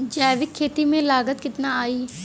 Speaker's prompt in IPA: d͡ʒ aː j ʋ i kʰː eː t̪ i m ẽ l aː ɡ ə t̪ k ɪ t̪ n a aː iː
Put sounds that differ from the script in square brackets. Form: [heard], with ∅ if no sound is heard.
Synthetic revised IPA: d͡ʒ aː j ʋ [ɪ] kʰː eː t̪ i m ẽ l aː ɡ ə t̪ k ɪ t̪ n a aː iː